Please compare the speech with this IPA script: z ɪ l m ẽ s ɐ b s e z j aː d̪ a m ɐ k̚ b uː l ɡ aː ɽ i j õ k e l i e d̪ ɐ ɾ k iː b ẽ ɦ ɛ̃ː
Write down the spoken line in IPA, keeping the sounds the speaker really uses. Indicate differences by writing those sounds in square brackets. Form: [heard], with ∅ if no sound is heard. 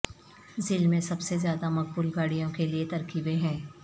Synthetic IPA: z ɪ l m ẽ s ɐ b s e z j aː d̪ a m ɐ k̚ b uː l ɡ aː ɽ i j õ k e l i e [t̪] ɐ ɾ k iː b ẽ ɦ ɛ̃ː